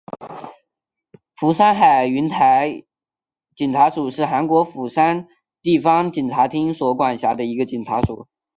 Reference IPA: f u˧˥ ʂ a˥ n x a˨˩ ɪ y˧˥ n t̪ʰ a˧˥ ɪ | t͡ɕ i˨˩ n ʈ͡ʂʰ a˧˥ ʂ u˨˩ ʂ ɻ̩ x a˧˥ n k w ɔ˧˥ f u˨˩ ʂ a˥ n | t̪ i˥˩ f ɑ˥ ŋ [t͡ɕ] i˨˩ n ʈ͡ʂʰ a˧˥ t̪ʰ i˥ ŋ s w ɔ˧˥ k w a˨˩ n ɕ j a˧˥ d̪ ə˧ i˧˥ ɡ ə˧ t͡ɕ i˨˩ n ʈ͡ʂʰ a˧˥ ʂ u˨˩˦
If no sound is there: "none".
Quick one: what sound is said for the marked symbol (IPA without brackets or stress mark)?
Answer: t͡ɕ